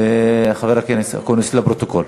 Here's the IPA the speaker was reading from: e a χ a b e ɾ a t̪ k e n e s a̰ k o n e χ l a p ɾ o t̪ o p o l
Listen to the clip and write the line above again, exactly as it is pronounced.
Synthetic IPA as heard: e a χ a v e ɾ a k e n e s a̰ k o n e s l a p ɾ o t̪ o k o l